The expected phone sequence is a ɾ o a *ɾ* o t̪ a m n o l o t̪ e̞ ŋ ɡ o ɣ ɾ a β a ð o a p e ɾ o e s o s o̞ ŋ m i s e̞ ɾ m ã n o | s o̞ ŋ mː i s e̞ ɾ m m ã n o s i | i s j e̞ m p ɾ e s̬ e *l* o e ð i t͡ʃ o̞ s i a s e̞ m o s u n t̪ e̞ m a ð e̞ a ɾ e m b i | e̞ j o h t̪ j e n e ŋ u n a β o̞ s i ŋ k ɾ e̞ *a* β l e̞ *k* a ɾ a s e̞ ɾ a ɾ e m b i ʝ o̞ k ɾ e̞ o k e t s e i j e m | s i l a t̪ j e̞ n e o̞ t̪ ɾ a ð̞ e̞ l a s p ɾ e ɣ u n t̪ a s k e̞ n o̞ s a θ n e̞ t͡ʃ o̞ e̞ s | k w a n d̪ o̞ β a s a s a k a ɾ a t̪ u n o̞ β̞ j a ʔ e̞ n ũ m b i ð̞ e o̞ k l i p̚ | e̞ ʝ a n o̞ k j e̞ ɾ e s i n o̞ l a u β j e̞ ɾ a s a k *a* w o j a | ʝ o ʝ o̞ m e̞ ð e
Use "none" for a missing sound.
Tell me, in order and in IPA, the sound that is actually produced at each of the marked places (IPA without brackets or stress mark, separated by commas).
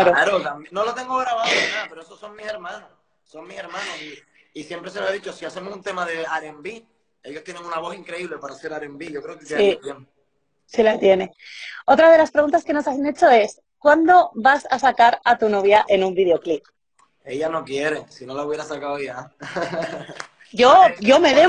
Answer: ɾ, l, i, p, a